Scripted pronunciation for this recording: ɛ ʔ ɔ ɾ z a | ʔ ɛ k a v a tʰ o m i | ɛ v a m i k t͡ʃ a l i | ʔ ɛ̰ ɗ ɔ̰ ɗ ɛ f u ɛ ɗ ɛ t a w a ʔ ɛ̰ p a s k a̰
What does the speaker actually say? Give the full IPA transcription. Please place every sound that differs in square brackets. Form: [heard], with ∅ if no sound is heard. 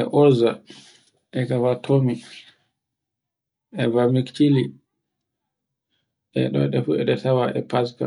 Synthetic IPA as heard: ɛ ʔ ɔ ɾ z a | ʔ ɛ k a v a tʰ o m i | ɛ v a m i k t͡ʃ [i] l i | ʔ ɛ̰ ɗ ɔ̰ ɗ ɛ f u ɛ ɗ ɛ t a w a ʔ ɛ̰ p a s k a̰